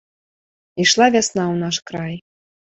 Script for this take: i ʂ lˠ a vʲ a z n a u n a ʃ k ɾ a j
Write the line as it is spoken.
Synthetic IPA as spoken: i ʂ lˠ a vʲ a s n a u n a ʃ k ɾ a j